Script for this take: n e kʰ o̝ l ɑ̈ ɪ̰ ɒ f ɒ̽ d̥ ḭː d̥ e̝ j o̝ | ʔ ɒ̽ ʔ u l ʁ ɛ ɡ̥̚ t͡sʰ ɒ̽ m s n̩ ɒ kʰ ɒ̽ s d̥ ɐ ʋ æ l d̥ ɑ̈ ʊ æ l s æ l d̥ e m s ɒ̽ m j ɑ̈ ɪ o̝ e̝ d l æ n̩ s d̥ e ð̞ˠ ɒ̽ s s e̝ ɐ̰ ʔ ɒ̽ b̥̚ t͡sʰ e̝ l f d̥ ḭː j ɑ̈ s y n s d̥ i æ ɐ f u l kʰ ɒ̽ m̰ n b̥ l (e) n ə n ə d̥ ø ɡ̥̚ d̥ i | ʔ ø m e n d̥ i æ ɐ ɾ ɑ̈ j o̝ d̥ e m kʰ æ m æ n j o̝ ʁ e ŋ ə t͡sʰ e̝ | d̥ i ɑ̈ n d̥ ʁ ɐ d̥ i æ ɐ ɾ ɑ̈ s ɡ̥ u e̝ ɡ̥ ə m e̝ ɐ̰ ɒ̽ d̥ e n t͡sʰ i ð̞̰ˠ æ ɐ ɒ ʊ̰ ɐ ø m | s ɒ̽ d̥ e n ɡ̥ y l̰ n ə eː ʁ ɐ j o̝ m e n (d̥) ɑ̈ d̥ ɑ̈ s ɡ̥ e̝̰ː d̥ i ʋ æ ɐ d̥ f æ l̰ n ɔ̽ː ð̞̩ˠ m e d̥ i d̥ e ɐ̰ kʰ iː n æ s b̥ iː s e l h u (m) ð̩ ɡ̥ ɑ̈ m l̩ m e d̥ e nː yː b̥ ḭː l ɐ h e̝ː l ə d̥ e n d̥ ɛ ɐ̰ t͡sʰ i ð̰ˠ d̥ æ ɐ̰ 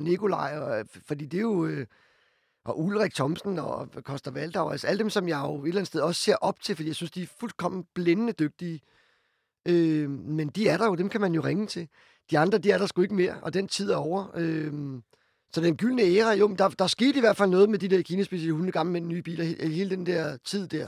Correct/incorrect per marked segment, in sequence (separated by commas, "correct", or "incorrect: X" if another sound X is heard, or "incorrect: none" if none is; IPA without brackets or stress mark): correct, correct, incorrect: n